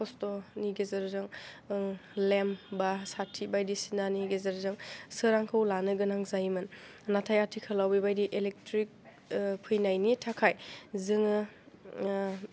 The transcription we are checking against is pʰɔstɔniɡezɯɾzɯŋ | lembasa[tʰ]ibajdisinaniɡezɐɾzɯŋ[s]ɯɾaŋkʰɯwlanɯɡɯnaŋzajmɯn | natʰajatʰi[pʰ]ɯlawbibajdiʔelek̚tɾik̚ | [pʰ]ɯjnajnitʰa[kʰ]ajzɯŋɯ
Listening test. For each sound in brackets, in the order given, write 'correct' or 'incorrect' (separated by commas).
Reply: correct, correct, incorrect, correct, correct